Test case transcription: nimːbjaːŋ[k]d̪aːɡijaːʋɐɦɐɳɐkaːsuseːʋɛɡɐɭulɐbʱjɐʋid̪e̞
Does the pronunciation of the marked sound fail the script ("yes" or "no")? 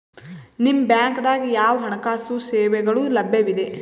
no